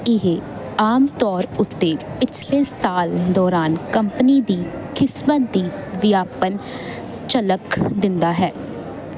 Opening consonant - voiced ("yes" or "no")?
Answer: yes